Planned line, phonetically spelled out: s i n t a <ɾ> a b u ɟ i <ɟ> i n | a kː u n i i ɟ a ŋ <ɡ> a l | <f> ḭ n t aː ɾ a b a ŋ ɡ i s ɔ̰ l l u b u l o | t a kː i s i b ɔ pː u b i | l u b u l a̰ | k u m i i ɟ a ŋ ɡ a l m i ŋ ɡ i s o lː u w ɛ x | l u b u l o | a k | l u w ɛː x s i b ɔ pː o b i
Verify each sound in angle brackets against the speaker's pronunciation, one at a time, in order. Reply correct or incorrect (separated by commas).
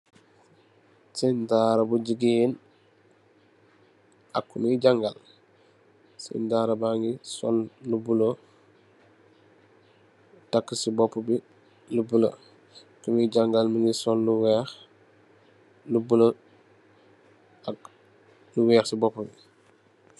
correct, incorrect, correct, incorrect